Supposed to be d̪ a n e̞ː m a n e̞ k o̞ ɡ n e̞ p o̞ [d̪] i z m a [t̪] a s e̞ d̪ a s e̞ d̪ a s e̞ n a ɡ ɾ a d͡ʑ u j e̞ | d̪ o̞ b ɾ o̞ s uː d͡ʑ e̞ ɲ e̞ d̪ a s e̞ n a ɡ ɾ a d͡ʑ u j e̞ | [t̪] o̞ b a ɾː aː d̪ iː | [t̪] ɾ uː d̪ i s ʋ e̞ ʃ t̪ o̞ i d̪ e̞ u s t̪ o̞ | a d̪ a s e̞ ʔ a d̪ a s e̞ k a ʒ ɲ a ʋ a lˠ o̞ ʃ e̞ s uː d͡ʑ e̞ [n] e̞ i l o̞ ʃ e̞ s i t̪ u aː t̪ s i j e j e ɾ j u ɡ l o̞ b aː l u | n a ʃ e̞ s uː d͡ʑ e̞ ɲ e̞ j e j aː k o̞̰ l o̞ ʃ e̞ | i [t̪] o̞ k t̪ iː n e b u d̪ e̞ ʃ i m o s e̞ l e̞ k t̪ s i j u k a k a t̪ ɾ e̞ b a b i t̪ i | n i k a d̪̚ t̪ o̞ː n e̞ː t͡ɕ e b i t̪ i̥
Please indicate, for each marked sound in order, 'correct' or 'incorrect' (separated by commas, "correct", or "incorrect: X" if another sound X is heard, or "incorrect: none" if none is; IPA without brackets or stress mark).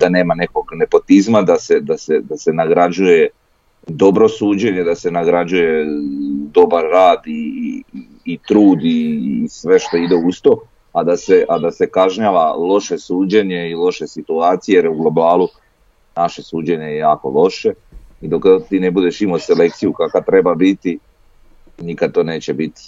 incorrect: t̪, incorrect: d̪, incorrect: d̪, correct, incorrect: ɲ, incorrect: d̪